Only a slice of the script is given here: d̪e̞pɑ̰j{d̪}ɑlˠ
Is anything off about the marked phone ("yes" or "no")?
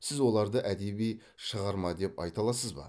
yes